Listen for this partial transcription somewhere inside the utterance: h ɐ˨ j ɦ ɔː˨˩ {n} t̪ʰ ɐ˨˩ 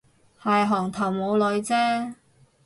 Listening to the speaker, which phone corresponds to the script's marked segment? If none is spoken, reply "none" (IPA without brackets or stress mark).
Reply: ŋ